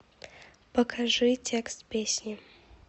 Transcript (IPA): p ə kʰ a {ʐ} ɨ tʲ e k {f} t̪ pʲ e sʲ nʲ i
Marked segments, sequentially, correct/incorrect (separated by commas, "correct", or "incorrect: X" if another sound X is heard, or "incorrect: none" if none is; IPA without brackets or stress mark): correct, incorrect: s